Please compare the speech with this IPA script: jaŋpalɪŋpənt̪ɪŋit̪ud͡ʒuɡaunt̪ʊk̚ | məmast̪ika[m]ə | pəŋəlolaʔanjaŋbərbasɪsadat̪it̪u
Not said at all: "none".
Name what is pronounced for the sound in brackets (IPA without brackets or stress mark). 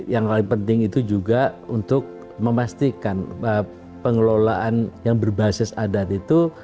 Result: n